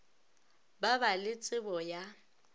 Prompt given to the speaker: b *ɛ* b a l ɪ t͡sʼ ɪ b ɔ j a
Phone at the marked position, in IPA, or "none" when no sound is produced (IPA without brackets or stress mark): a